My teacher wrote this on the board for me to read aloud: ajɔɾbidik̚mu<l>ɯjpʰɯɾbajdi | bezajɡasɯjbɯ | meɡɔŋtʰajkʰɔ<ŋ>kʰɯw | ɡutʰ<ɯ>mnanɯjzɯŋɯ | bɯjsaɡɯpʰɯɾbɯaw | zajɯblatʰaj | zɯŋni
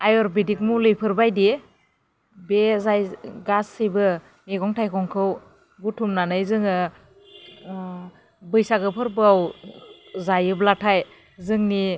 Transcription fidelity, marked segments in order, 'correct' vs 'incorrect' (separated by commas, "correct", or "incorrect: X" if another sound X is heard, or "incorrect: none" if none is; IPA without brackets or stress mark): correct, correct, incorrect: u